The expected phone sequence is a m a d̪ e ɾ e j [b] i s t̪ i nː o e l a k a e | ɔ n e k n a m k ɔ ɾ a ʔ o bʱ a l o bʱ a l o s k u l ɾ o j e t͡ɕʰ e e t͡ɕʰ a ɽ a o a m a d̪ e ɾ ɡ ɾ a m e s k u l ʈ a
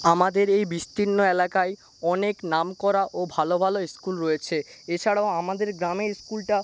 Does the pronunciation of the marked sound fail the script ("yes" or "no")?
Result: no